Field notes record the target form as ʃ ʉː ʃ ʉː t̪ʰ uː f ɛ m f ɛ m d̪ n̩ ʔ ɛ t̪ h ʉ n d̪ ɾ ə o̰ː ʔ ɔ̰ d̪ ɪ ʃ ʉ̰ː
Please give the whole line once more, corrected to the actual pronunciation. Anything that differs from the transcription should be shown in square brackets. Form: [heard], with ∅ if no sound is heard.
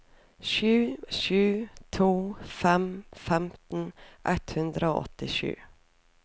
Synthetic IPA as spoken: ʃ ʉː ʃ ʉː t̪ʰ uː f ɛ m f ɛ m [t̪] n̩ ʔ ɛ t̪ h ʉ n d̪ ɾ ə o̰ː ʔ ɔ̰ [t̪] ɪ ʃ ʉ̰ː